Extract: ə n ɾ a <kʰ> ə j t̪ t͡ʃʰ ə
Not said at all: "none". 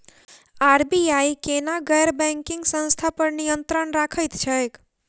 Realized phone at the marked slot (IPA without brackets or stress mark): kʰ